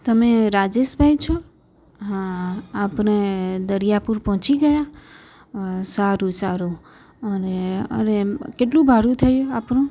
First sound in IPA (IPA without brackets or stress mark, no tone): t̪